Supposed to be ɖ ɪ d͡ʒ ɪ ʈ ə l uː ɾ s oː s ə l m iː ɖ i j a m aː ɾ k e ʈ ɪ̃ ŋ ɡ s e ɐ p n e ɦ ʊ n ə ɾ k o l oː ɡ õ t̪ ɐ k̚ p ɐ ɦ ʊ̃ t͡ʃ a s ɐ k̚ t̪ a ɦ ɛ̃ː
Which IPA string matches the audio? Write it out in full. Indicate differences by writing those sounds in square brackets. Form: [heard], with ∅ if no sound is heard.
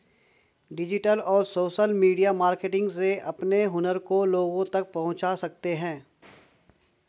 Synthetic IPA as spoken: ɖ ɪ d͡ʒ ɪ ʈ ə l [ɔː] ɾ s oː [ʃ] ə l m iː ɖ i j a m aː ɾ k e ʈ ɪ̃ ŋ ɡ s e ɐ p n e ɦ ʊ n ə ɾ k o l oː ɡ õ t̪ ɐ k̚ p ɐ ɦ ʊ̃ t͡ʃ a s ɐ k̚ t̪ [e] ɦ ɛ̃ː